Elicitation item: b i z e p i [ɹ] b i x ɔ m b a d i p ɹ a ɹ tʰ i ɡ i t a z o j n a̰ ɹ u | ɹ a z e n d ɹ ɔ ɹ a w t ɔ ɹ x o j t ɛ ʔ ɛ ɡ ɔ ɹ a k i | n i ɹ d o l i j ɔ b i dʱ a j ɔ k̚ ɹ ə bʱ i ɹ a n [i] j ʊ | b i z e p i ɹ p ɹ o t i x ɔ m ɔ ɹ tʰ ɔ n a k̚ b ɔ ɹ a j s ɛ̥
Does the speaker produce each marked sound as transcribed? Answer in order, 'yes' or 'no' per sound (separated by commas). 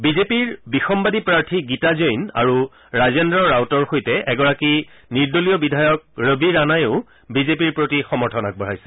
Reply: yes, no